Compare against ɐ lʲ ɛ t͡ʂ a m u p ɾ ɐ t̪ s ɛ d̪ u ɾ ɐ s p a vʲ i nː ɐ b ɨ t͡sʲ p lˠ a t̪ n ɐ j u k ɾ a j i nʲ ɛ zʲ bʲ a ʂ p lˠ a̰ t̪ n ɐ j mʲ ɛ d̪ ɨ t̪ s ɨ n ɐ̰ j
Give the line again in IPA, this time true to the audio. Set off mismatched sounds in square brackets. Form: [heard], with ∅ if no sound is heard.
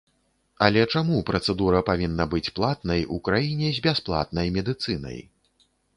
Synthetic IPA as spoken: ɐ lʲ ɛ t͡ʂ a m u p ɾ ɐ t̪ s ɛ d̪ u ɾ ɐ [∅] p a vʲ i nː ɐ b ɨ t͡sʲ p lˠ a t̪ n ɐ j u k ɾ a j i nʲ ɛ zʲ bʲ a [s] p lˠ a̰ t̪ n ɐ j mʲ ɛ d̪ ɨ t̪ s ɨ n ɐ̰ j